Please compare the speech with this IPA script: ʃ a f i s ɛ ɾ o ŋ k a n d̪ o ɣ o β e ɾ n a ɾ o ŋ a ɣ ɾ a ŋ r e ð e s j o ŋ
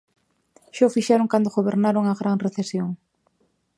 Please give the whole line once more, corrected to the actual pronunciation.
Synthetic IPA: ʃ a f i ʃ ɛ ɾ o ŋ k a n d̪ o ɣ o β e ɾ n a ɾ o ŋ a ɣ ɾ a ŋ r e θ e s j o ŋ